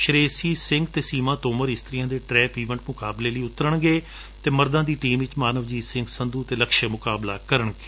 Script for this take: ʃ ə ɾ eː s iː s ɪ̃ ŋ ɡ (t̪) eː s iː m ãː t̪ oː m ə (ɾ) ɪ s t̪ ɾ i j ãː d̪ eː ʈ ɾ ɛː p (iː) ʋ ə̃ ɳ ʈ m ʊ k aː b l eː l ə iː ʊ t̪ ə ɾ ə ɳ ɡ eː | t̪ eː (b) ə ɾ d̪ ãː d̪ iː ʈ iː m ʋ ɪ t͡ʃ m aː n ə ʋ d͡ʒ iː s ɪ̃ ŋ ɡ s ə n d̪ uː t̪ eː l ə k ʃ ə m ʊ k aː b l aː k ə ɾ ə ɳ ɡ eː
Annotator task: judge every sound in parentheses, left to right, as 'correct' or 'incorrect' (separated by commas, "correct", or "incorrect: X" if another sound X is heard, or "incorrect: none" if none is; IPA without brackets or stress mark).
correct, correct, correct, incorrect: m